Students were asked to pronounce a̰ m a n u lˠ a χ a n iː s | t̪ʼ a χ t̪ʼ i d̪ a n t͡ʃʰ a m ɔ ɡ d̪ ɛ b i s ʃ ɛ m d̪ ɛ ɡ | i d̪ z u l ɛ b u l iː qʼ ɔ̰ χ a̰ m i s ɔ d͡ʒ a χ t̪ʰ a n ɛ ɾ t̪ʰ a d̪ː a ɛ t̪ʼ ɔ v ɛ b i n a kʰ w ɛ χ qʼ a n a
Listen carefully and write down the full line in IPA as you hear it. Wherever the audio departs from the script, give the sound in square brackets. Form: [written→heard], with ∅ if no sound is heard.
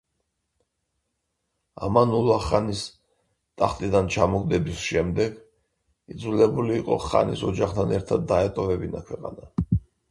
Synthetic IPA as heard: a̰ m a n u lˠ a χ a n [iː→i] s | t̪ʼ a χ t̪ʼ i d̪ a n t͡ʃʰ a m ɔ ɡ d̪ ɛ b i s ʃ ɛ m d̪ ɛ ɡ | i d̪ z u l ɛ b u l iː qʼ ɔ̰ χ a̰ [m→n] i s ɔ d͡ʒ a χ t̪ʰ a n ɛ ɾ t̪ʰ a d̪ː a ɛ t̪ʼ ɔ v ɛ b i n a kʰ w ɛ [χ→∅] qʼ a n a